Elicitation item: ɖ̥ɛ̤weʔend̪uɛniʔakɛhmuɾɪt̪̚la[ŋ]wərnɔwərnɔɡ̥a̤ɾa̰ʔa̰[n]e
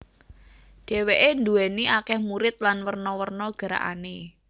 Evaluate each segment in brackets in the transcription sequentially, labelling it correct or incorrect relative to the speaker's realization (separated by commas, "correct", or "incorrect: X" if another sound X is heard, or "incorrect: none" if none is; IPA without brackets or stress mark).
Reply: incorrect: n, correct